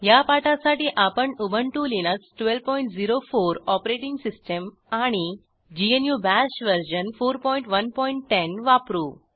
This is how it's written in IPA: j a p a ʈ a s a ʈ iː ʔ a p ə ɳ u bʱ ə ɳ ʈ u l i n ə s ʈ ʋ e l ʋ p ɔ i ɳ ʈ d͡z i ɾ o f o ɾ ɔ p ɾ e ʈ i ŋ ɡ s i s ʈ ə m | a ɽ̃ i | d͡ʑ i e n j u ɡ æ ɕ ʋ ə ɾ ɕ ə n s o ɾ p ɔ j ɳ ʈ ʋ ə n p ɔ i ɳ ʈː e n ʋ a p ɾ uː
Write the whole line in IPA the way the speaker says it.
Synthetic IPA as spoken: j a p a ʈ a s a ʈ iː ʔ a p ə ɳ u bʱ ə ɳ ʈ u l i n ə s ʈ ʋ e l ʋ p ɔ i ɳ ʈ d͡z i ɾ o f o ɾ ɔ p ɾ e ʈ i ŋ ɡ s i s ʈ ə m | a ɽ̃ i | d͡ʑ i e n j u b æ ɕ ʋ ə ɾ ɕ ə n f o ɾ p ɔ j ɳ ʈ ʋ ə n p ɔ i ɳ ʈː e n ʋ a p ɾ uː